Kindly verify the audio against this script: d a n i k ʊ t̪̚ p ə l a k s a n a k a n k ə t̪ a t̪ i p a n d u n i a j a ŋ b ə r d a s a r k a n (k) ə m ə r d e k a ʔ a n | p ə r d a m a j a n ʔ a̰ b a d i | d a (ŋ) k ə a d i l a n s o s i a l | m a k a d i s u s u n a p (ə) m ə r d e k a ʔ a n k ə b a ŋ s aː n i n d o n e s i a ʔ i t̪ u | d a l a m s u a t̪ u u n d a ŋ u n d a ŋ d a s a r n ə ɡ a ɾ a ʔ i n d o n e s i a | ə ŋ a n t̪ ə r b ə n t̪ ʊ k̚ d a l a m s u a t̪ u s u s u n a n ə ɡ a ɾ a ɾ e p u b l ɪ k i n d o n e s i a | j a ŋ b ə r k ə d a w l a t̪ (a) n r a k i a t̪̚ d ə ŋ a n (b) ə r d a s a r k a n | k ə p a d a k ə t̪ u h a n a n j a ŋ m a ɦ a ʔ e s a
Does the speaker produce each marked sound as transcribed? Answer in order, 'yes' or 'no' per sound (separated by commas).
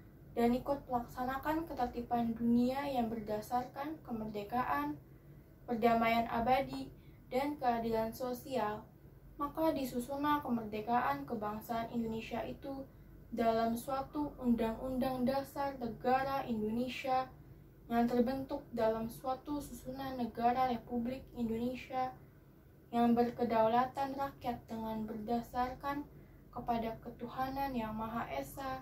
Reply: yes, no, yes, yes, yes